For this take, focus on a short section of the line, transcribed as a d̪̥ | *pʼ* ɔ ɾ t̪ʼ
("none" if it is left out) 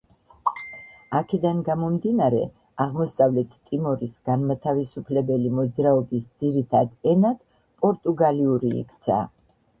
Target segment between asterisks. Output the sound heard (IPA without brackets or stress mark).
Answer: pʼ